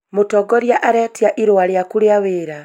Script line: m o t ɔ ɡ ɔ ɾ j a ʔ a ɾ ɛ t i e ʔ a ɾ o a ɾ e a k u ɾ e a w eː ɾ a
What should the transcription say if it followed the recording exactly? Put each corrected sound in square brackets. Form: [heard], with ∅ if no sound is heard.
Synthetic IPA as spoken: m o t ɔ ɡ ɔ ɾ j a ʔ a ɾ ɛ t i [a] ʔ [i] ɾ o a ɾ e a k u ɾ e a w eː ɾ a